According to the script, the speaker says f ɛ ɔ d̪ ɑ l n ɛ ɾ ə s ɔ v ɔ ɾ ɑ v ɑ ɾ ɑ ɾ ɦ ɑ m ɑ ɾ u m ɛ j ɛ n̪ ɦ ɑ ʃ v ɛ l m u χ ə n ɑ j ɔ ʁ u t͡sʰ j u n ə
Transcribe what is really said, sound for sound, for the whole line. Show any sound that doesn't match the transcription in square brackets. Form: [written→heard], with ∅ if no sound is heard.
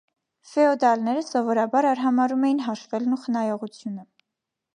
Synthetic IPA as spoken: f ɛ ɔ d̪ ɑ l n ɛ ɾ ə s ɔ v ɔ ɾ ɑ [v→b] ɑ ɾ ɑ ɾ ɦ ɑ m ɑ ɾ u m ɛ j [ɛ→i] n̪ ɦ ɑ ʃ v ɛ l [m→n] u χ ə n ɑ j ɔ ʁ u t͡sʰ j u n ə